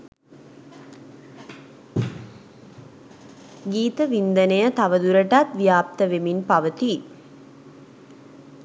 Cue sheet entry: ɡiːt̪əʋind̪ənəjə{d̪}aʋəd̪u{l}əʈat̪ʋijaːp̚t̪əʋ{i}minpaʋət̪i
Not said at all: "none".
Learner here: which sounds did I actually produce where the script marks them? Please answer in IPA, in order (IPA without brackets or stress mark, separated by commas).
t̪, ɾ, e